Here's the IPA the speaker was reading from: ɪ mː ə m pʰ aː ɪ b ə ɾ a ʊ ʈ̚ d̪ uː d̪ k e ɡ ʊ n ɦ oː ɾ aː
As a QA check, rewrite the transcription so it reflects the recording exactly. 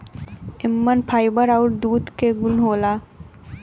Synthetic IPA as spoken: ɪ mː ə n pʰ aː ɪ b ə ɾ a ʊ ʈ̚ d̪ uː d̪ k e ɡ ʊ n ɦ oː l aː